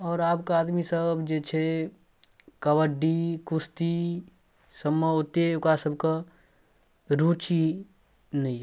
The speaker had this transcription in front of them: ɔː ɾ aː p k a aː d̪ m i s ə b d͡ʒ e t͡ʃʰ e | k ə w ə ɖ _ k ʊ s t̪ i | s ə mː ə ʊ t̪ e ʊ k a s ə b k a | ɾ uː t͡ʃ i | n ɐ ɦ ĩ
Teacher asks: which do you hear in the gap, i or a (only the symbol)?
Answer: i